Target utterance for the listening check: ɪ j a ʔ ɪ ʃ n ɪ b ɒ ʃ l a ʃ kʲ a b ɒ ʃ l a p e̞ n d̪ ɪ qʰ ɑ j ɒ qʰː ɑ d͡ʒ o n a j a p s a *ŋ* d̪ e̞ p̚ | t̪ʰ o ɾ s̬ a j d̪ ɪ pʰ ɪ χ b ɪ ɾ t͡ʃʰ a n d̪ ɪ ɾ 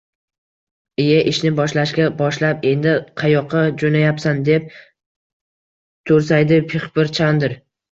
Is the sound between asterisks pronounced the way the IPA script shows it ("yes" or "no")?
no